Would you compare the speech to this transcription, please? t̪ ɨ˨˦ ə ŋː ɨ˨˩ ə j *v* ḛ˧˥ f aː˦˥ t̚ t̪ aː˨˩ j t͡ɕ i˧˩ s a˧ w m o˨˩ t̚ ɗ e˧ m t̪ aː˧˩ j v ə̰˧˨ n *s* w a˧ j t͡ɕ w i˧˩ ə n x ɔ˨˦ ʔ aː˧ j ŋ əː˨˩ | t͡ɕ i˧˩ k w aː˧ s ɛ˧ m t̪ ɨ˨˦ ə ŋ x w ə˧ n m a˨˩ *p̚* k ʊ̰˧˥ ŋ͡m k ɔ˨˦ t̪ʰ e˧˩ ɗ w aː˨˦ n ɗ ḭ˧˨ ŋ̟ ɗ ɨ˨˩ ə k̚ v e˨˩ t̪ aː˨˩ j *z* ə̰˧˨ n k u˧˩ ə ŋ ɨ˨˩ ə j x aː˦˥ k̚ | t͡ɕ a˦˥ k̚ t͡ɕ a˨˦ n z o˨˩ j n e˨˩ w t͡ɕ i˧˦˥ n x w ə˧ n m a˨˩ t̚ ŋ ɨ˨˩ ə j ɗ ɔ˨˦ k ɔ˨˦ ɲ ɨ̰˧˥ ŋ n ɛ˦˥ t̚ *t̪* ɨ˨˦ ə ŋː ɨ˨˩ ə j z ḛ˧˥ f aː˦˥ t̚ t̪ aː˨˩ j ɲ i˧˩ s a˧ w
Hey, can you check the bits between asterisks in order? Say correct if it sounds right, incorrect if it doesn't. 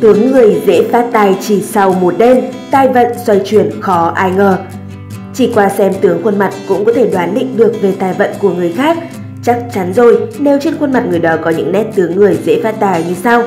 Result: incorrect: z, correct, incorrect: t̚, incorrect: v, correct

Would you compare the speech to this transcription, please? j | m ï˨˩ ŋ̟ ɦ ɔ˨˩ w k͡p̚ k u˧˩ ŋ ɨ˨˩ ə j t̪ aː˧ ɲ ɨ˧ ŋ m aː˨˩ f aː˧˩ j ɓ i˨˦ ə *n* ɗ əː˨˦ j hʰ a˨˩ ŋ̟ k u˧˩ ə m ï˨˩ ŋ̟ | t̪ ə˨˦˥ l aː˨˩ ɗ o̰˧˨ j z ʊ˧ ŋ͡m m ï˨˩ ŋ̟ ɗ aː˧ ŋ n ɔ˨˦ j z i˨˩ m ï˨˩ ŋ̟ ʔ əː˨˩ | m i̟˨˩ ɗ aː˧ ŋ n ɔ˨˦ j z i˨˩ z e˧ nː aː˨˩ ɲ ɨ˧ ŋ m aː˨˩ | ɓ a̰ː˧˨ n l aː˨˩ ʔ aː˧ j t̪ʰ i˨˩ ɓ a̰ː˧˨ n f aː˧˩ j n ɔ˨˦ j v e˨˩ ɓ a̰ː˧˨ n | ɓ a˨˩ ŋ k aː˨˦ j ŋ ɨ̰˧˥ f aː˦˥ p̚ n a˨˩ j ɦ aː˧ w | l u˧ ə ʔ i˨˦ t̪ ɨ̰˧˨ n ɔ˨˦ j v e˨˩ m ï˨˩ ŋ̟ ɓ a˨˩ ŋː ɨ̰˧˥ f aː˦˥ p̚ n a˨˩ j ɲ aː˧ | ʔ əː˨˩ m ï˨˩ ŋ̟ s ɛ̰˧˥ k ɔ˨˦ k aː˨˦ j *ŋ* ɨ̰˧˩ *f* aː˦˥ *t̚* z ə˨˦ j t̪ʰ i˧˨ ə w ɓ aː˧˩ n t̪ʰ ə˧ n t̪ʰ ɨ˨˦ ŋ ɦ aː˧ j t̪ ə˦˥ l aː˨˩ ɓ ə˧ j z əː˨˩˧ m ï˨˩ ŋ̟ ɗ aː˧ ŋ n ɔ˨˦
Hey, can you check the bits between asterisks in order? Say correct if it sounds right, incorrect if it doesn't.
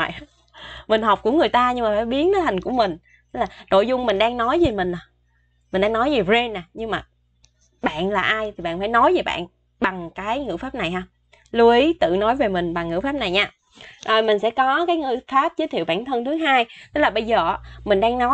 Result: correct, correct, correct, incorrect: p̚

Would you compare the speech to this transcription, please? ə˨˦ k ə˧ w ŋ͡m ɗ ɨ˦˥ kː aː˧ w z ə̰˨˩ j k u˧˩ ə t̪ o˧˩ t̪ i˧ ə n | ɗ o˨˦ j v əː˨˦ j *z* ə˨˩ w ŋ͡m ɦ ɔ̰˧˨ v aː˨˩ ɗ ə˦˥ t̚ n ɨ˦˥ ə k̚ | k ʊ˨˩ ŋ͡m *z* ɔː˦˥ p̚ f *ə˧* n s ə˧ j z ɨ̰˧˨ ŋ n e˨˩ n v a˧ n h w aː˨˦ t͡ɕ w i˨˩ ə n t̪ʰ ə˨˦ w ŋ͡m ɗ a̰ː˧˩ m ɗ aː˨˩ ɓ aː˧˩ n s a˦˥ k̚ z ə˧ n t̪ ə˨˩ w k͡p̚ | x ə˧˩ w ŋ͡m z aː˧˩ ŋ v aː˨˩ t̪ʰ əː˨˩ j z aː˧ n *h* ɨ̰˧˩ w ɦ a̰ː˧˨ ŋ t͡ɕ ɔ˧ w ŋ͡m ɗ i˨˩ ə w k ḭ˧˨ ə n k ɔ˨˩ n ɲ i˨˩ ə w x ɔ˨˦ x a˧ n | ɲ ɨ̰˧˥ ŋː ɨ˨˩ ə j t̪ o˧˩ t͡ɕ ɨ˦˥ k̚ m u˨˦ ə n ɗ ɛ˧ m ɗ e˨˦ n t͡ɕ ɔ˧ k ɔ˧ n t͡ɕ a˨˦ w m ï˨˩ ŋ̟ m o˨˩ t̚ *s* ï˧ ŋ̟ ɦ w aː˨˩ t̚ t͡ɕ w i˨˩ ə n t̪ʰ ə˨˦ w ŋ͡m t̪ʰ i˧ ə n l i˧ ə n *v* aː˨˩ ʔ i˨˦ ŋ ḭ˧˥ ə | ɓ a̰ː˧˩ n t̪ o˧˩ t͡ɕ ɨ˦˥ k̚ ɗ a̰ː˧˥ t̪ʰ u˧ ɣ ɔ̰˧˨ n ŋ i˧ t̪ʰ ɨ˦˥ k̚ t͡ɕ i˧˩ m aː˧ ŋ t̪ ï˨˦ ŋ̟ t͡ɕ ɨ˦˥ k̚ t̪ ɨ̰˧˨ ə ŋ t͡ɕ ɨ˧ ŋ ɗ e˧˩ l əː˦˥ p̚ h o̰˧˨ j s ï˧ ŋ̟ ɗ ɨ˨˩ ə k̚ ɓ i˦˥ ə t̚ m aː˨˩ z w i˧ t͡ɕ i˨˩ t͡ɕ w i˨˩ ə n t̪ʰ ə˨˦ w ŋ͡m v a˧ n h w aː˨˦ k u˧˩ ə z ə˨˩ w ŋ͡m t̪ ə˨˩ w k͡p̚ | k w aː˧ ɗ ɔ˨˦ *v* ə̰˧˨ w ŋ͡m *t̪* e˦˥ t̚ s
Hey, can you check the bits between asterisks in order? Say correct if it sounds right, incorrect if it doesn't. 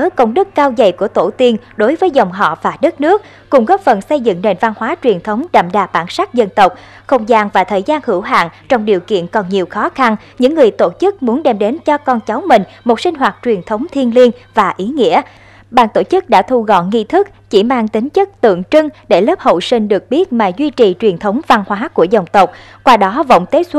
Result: correct, incorrect: ɣ, incorrect: ə˨˩, correct, correct, correct, correct, correct

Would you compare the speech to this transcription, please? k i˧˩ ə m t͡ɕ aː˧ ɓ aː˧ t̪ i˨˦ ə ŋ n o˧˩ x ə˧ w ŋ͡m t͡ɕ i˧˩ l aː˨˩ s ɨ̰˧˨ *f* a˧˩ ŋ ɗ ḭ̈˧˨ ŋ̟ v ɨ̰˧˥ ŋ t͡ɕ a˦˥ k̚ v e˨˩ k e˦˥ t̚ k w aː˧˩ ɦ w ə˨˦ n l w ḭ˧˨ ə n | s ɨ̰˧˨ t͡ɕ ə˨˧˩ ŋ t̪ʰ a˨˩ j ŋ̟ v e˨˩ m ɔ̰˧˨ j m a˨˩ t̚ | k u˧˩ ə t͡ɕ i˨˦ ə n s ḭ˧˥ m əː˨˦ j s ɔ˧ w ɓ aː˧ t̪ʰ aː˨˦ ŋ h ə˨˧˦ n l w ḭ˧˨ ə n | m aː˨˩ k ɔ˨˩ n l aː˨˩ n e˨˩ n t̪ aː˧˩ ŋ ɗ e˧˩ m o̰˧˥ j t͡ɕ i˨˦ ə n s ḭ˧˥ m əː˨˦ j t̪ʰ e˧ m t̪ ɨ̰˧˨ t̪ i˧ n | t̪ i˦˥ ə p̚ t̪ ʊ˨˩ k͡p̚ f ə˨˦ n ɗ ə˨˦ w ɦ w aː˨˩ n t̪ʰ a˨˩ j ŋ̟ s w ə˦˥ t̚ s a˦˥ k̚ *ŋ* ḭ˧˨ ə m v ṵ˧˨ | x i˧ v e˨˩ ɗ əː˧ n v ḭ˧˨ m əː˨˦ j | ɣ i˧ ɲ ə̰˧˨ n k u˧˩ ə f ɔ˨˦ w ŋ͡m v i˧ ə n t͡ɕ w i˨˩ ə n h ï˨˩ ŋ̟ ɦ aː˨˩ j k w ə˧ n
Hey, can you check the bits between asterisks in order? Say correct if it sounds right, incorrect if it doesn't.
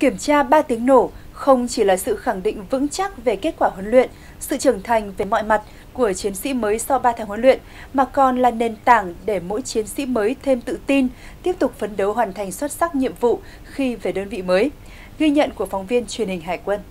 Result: incorrect: x, incorrect: ɲ

